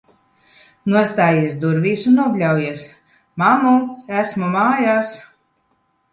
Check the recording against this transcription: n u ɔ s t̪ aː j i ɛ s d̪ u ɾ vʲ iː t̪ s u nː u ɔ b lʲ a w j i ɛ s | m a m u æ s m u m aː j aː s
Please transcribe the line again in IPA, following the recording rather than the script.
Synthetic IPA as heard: n u ɔ s t̪ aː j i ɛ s d̪ u ɾ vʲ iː s u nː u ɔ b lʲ a w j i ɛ s | m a m u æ s m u m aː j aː s

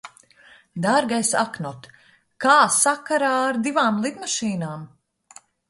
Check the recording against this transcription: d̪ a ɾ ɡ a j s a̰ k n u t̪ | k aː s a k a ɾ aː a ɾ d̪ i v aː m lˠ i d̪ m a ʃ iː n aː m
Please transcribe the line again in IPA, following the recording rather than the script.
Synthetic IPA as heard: d̪ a ɾ ɡ a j s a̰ k n ɔ t̪ | k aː s a k a ɾ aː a ɾ d̪ i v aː m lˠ i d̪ m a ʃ iː n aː m

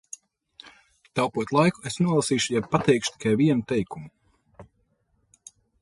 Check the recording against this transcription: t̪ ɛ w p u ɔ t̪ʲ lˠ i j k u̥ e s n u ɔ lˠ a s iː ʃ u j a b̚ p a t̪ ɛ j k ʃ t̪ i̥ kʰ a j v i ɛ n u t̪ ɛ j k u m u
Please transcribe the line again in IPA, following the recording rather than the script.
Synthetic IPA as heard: t̪ a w p u ɔ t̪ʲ lˠ a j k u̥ e s n u ɔ lˠ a s iː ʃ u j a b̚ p a t̪ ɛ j k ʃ t̪ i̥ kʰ a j v i ɛ n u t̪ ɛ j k u m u

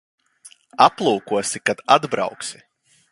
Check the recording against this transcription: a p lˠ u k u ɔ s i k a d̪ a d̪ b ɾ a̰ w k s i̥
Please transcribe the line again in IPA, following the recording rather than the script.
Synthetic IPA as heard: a p lˠ uː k u ɔ s i k a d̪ a d̪ b ɾ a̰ w k s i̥

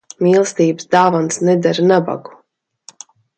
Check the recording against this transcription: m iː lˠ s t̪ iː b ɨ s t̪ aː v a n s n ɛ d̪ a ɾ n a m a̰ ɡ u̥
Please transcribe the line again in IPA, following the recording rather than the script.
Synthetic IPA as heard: m iː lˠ s t̪ iː b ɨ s d̪ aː v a n s n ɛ d̪ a ɾ n a b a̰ ɡ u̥

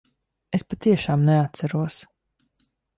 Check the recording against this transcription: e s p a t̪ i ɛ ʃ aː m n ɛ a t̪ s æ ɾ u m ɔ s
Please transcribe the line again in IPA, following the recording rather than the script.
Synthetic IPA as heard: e s p a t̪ i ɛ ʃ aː m n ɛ a t̪ s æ ɾ u ɔ s

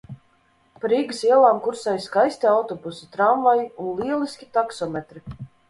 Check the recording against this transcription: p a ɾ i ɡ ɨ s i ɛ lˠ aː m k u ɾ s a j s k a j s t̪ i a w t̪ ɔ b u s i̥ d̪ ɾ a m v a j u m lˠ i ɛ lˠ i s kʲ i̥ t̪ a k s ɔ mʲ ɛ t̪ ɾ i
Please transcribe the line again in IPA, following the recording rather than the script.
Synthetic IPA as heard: p a ɾ i ɡ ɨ s i ɛ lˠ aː m k u ɾ s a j s k a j s t̪ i a w t̪ ɔ b u s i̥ t̪ ɾ a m v a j u n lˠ i ɛ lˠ i s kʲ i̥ t̪ a k s ɔ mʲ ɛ t̪ ɾ i

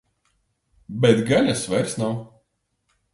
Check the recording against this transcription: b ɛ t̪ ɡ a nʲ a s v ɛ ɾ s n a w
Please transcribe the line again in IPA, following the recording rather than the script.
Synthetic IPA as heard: b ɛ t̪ ɡ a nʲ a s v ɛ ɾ s n a w

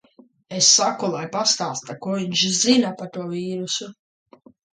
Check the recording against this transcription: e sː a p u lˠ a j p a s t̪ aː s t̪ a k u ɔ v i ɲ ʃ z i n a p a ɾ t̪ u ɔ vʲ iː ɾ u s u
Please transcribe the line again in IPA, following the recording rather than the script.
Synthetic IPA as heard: e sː a k u lˠ a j p a s t̪ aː s t̪ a k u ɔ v i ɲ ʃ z i n a p a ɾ t̪ u ɔ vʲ iː ɾ u s u

